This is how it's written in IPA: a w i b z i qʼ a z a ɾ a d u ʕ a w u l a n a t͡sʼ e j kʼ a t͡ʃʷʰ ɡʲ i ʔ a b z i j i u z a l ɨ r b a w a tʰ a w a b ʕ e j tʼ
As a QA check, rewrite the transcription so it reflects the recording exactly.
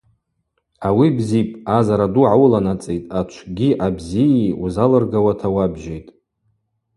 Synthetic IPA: a w i b z i pʼ a z a ɾ a d u ʕ a w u l a n a t͡sʼ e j tʼ a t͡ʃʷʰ ɡʲ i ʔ a b z i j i u z a l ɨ r ɡ a w a tʰ a w a b ʒ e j tʼ